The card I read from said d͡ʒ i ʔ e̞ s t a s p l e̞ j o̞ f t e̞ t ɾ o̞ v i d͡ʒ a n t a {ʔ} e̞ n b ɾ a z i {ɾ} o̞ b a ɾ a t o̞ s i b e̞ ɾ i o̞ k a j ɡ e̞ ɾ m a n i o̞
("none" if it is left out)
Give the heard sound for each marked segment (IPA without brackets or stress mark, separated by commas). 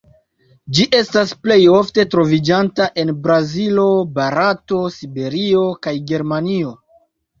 ʔ, l